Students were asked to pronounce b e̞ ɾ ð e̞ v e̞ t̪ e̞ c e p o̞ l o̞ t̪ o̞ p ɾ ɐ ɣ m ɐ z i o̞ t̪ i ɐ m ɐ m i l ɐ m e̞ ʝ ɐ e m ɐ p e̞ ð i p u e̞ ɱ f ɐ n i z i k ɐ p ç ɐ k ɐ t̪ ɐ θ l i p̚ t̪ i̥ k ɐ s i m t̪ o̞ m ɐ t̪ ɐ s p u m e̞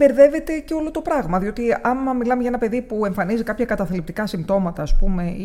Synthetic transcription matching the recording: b e̞ ɾ ð e̞ v e̞ t̪ e̞ c e o̞ l o̞ t̪ o̞ p ɾ ɐ ɣ m ɐ ð i o̞ t̪ i ɐ m ɐ m i l ɐ m e̞ ʝ ɐ e n ɐ p e̞ ð i p u e̞ ɱ f ɐ n i z i k ɐ p ç ɐ k ɐ t̪ ɐ θ l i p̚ t̪ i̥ k ɐ s i m t̪ o̞ m ɐ t̪ ɐː s p u m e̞